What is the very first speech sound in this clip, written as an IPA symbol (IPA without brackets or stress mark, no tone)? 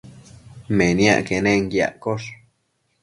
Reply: m